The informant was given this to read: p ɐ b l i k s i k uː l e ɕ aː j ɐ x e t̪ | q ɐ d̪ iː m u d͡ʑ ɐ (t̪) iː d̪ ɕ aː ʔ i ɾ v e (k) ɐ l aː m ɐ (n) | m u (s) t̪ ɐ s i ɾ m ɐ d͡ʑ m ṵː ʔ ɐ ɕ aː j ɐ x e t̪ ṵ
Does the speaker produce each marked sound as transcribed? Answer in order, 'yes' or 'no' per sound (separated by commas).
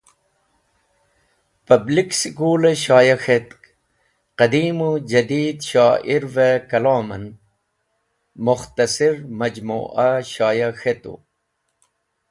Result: no, yes, yes, no